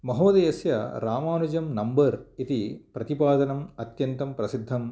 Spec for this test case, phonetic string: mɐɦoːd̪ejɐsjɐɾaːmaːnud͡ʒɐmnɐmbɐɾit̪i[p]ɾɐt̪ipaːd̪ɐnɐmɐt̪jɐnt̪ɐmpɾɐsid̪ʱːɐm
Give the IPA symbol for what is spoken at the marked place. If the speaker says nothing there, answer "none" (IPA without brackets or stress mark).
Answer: p